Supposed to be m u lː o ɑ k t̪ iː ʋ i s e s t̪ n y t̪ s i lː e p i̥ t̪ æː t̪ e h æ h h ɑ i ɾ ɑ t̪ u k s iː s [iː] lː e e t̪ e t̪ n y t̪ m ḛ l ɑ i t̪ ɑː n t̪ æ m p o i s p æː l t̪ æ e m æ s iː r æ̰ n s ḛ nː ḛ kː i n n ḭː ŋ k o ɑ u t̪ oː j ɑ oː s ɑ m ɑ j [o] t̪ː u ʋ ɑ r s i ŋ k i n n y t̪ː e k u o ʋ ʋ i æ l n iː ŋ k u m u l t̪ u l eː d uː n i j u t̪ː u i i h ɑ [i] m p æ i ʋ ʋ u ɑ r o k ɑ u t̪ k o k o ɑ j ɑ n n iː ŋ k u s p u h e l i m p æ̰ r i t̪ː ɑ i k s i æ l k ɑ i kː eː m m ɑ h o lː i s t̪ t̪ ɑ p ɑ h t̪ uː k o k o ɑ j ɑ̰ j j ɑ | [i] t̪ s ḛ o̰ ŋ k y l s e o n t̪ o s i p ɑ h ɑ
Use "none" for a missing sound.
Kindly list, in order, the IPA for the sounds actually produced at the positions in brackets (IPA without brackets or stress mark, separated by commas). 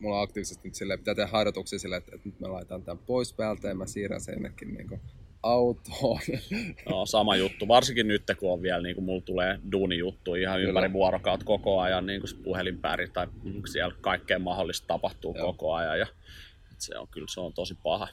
i, u, y, e